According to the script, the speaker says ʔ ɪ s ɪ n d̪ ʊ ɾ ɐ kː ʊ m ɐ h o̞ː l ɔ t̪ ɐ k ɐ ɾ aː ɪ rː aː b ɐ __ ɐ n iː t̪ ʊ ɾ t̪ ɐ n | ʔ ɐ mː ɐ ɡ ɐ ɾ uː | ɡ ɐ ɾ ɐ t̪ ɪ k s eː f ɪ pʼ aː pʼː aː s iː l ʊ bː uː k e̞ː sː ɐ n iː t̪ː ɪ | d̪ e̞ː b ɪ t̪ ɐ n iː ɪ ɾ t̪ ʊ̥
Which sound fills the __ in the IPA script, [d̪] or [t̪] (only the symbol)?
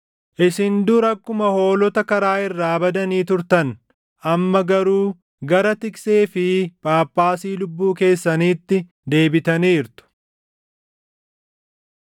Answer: d̪